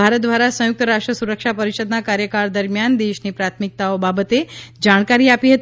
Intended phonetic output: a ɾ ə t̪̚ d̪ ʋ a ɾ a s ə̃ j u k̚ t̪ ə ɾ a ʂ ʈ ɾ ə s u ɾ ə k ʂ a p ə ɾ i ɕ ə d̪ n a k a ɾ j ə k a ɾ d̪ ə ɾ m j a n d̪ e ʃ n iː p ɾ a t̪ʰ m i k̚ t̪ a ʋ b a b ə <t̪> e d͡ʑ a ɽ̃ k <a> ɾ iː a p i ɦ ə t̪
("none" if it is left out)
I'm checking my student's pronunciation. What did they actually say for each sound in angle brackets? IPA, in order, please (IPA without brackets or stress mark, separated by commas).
t̪, a